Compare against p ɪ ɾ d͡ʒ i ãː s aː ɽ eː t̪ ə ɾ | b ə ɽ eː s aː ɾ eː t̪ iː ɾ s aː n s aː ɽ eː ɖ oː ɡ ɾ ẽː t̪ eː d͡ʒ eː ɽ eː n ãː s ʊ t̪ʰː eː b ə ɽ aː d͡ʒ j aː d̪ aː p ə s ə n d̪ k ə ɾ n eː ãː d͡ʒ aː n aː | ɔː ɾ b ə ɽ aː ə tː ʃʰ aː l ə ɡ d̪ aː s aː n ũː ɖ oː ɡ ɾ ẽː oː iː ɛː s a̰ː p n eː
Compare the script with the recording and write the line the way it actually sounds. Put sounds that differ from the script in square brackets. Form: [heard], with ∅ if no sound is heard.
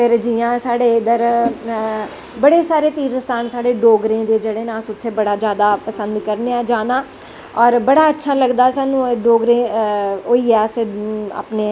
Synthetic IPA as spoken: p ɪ ɾ d͡ʒ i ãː s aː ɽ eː [d̪] ə ɾ | b ə ɽ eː s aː ɾ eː t̪ iː ɾ s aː n s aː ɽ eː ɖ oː ɡ ɾ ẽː [d̪] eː d͡ʒ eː ɽ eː n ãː s ʊ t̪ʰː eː b ə ɽ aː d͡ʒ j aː d̪ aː p ə s ə n d̪ k ə ɾ n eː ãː d͡ʒ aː n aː | ɔː ɾ b ə ɽ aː ə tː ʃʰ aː l ə ɡ d̪ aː s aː n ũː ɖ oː ɡ ɾ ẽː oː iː ɛː s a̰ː p n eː